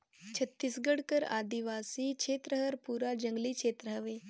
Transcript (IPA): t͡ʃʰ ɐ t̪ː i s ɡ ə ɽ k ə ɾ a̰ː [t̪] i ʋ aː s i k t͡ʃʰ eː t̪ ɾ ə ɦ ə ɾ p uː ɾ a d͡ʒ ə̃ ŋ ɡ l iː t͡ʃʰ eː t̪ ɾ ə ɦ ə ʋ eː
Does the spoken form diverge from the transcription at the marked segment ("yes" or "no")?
yes